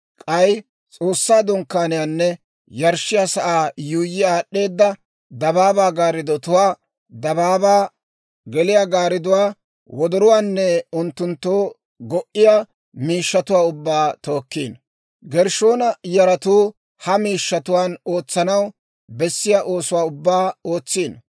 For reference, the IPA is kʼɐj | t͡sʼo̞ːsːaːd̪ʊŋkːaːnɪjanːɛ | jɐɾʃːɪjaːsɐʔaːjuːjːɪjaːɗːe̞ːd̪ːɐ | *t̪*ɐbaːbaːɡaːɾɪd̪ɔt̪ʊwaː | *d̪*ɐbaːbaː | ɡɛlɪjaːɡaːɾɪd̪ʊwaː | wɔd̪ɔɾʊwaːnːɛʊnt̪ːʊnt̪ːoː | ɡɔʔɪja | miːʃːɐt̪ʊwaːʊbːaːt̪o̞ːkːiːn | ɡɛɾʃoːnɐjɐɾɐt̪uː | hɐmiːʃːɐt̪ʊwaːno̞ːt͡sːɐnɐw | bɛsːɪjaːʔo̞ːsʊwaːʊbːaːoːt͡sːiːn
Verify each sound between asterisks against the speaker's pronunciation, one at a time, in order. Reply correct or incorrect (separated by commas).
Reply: incorrect, correct